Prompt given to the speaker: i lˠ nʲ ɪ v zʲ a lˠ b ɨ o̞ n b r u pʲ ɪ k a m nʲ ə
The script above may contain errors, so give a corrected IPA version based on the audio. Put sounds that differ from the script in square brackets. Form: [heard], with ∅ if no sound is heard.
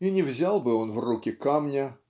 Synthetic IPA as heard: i [∅] nʲ ɪ v zʲ a lˠ b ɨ o̞ n [v] r u [kʲ] ɪ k a m nʲ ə

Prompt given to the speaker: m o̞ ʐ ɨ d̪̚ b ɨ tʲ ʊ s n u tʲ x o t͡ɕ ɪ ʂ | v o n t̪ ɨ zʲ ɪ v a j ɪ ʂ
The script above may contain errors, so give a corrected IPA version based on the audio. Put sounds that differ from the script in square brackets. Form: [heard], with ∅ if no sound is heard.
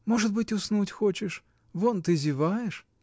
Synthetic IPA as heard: m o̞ ʐ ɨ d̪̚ b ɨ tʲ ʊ s n u tʲ x o t͡ɕ ɪ ʂ | v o n t̪ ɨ zʲ ɪ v a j ɪ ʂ

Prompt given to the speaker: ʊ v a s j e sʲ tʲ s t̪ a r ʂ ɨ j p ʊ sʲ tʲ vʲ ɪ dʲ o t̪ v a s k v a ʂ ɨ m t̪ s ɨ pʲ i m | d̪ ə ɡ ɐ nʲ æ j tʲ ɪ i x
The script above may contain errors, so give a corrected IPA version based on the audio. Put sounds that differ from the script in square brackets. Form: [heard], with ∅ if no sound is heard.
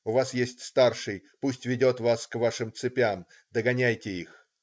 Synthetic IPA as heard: ʊ v a s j e sʲ tʲ s t̪ a r ʂ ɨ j p [u] sʲ tʲ vʲ ɪ dʲ o t̪ v a s k v a ʂ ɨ m t̪ s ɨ pʲ [a] m | d̪ ə ɡ ɐ nʲ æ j tʲ ɪ i x

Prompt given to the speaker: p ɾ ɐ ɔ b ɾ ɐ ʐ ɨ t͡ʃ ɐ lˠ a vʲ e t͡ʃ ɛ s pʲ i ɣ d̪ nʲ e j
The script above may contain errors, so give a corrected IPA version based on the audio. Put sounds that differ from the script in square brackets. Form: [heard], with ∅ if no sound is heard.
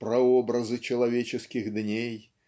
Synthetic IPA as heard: p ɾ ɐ ɔ b ɾ ɐ [z] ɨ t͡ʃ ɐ lˠ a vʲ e t͡ʃ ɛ s [kʲ] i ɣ d̪ nʲ e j

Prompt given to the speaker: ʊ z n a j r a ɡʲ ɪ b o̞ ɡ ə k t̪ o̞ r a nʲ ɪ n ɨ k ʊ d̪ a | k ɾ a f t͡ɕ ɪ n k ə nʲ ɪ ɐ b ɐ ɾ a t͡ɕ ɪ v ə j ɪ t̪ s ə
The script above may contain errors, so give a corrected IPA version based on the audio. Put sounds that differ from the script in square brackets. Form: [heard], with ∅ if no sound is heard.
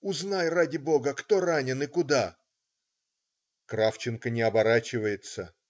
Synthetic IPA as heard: ʊ z n a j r a [dʲ] ɪ b o̞ ɡ ə k t̪ o̞ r a nʲ ɪ n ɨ k ʊ d̪ a | k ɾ a f t͡ɕ ɪ n k ə nʲ ɪ ɐ b ɐ ɾ a t͡ɕ ɪ v ə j ɪ t̪ s ə

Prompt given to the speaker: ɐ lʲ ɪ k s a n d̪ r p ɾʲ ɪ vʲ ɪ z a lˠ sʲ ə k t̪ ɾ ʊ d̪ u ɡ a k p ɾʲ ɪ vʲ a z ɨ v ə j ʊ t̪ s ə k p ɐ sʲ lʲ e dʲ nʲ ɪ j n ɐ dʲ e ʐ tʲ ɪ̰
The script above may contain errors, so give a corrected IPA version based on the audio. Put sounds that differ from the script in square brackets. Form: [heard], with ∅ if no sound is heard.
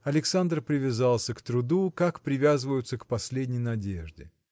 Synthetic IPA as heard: ɐ lʲ ɪ k s a n d̪ r p ɾʲ ɪ vʲ ɪ z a lˠ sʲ ə k t̪ ɾ ʊ d̪ u [k] a k p ɾʲ ɪ vʲ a z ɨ v ə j ʊ t̪ s ə k p ɐ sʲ lʲ e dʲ nʲ ɪ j n ɐ dʲ e ʐ [dʲ] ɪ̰

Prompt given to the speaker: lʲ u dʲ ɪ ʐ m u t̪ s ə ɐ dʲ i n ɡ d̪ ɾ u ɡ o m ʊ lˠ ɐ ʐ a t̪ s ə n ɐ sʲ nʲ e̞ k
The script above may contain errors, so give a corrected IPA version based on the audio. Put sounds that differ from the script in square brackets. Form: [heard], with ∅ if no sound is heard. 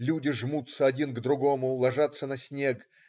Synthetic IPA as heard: lʲ u dʲ ɪ ʐ m u t̪ s ə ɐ dʲ i n ɡ d̪ ɾ [ʊ] ɡ o m ʊ lˠ ɐ ʐ a t̪ s ə n ɐ sʲ nʲ e̞ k

